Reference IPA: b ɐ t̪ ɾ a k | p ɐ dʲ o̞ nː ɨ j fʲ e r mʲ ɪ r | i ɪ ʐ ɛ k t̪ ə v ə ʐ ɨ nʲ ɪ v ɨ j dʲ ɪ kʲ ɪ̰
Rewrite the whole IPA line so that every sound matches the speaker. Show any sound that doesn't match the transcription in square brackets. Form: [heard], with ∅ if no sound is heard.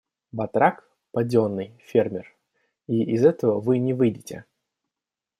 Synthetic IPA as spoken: b ɐ t̪ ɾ a k | p ɐ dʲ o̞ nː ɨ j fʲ e r mʲ ɪ r | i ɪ [z] ɛ [∅] t̪ ə v ə [v] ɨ nʲ ɪ v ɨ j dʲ ɪ [tʲ] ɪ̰